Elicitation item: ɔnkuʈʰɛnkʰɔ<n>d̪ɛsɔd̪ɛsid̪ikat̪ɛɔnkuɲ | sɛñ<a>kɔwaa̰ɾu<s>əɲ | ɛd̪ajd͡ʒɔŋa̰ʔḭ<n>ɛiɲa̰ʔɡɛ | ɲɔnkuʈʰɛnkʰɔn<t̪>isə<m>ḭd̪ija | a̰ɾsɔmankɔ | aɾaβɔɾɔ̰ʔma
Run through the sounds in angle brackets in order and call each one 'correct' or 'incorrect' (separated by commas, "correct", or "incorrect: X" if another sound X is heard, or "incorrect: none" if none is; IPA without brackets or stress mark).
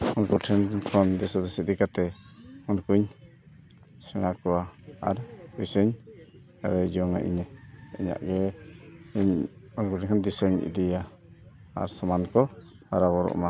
correct, correct, correct, incorrect: ɲ, incorrect: d̪, incorrect: ɲ